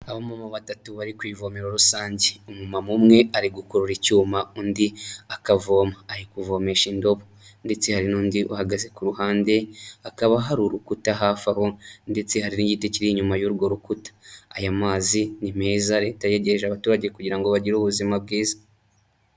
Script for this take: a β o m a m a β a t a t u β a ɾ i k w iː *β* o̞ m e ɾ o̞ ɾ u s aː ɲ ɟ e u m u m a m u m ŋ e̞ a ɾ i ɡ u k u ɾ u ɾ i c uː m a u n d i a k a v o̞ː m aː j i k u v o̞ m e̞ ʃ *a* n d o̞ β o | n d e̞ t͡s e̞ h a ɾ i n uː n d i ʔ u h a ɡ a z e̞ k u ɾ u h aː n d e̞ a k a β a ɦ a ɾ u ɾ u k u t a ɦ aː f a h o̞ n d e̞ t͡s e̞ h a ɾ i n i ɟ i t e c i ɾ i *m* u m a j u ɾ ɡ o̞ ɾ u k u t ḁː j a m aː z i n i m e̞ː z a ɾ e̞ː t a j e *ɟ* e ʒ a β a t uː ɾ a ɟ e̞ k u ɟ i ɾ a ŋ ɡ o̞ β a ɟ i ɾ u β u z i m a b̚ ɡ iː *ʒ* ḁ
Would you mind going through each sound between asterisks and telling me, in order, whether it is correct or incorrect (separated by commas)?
incorrect, incorrect, incorrect, correct, incorrect